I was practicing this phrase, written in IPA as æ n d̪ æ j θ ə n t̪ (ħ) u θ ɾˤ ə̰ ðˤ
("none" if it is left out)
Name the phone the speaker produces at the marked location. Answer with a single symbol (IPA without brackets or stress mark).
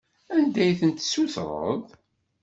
s